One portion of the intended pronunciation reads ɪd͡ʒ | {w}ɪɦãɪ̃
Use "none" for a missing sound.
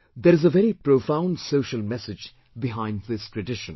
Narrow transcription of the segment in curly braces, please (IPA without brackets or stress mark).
b